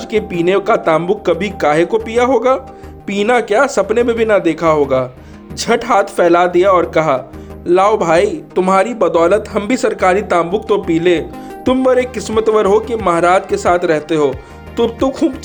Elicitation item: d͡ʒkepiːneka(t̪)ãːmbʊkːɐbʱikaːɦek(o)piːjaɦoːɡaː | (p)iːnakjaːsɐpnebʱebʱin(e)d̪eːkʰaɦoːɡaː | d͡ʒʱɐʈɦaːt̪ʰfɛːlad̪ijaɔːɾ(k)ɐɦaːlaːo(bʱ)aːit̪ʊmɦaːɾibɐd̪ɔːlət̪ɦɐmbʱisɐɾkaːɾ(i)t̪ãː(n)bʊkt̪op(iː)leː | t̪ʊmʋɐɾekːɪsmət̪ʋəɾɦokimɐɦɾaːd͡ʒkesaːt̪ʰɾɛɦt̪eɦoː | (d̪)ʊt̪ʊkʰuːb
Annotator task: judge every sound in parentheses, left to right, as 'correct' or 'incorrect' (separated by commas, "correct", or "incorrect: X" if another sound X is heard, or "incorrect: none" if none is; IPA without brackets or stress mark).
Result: correct, correct, correct, incorrect: a, correct, correct, correct, incorrect: m, correct, incorrect: t̪